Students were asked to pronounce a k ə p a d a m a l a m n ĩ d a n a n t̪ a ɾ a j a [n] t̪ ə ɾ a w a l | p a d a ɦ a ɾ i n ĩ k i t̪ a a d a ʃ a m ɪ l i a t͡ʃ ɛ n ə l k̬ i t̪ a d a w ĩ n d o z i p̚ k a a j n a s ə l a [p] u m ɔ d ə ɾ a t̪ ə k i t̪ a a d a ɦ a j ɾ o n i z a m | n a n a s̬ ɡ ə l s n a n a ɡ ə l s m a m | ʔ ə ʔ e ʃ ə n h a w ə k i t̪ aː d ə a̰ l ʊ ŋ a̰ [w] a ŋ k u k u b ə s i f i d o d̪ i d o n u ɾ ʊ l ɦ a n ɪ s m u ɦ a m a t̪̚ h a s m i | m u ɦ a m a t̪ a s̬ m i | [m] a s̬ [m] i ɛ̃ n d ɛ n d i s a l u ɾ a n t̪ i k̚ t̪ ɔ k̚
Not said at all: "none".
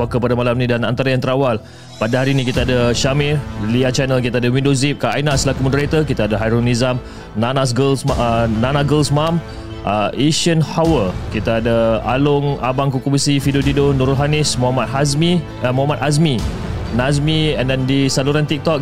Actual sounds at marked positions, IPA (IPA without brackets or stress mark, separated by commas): ŋ, k, b, n, m